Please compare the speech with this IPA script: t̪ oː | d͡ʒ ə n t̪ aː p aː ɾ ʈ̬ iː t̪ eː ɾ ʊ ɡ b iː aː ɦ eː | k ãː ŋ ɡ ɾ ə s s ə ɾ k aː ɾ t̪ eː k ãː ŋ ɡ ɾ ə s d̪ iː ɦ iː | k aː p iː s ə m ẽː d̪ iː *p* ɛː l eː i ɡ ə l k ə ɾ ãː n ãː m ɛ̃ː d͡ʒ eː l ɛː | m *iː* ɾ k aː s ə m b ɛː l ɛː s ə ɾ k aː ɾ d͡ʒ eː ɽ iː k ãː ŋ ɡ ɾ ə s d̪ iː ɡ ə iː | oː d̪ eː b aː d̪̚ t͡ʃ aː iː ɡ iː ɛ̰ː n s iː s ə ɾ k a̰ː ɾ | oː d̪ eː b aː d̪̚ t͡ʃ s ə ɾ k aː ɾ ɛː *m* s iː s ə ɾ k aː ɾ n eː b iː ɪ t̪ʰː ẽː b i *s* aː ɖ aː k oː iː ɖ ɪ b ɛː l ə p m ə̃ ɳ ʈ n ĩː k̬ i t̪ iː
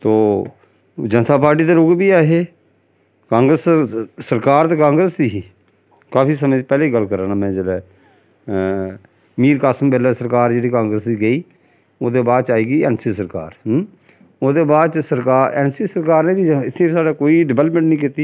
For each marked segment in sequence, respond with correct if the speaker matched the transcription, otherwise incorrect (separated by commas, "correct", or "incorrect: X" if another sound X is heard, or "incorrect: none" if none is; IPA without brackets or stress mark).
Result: correct, correct, incorrect: n, correct